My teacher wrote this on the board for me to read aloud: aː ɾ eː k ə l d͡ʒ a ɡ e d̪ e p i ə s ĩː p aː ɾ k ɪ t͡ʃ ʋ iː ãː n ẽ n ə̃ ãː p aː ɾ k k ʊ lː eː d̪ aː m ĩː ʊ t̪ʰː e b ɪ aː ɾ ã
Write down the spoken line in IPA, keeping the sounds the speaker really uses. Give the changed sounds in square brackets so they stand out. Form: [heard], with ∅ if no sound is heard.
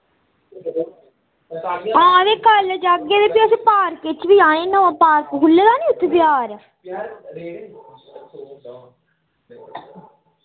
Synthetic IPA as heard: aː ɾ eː k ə l d͡ʒ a ɡ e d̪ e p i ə s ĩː p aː ɾ k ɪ t͡ʃ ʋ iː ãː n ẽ n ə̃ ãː p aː ɾ k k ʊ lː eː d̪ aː [n] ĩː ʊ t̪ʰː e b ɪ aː ɾ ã